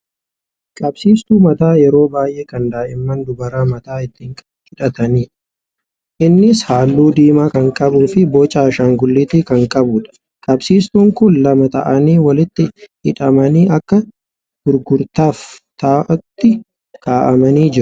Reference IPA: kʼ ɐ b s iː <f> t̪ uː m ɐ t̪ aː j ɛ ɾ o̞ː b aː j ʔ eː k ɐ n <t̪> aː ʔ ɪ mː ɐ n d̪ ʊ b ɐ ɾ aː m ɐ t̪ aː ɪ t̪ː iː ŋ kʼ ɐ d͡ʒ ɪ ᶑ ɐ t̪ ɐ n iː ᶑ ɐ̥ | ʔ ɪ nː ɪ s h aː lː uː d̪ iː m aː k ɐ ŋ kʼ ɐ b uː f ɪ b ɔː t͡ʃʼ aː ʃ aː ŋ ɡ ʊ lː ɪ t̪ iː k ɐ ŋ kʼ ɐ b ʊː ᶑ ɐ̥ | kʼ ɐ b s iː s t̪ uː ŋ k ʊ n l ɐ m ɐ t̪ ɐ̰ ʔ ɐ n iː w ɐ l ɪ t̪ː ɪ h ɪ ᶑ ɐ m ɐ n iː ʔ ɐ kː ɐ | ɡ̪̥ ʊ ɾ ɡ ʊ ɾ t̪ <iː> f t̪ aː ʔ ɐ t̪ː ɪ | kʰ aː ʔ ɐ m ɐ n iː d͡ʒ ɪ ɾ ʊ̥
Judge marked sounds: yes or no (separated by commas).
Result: no, no, no